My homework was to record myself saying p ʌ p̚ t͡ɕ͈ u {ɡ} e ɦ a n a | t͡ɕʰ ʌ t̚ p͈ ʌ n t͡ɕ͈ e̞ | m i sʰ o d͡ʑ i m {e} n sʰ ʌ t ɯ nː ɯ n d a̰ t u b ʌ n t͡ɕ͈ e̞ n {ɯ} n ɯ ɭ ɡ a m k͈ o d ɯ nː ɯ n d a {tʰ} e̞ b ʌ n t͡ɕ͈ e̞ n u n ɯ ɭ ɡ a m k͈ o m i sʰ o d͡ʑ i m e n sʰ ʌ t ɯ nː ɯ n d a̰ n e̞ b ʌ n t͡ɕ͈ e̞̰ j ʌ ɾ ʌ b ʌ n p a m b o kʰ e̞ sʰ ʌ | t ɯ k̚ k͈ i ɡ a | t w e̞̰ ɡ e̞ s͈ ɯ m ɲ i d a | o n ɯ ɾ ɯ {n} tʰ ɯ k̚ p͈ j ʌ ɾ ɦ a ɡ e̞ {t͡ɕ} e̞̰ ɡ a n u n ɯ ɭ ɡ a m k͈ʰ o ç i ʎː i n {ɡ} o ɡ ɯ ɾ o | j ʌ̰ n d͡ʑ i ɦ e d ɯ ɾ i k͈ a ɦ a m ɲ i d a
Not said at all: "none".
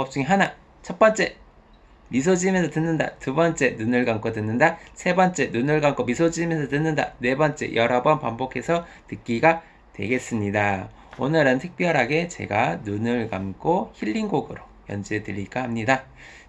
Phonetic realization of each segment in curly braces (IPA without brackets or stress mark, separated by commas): ŋ, e, u, sʰ, n, t͡ɕ, ɡ